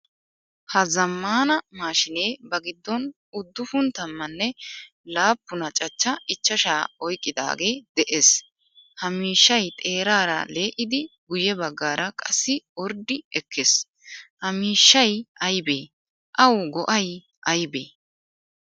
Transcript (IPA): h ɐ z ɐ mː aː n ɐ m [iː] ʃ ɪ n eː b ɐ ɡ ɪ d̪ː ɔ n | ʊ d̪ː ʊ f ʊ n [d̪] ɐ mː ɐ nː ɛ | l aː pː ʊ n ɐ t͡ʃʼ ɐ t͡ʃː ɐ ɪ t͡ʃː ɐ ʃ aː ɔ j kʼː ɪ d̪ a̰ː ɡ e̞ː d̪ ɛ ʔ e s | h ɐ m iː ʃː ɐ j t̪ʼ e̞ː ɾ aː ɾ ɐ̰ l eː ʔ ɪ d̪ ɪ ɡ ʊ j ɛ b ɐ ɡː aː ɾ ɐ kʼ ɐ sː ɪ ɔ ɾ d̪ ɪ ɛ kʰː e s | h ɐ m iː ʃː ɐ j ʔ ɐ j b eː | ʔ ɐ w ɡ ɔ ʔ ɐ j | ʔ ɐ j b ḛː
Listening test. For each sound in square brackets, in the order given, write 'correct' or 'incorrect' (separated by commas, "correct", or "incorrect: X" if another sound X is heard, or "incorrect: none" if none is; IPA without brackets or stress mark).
incorrect: aː, incorrect: t̪